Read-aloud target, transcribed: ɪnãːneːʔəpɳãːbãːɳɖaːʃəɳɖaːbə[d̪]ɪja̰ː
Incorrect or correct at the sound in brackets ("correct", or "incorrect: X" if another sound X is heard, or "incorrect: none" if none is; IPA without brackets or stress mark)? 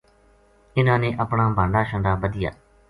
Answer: correct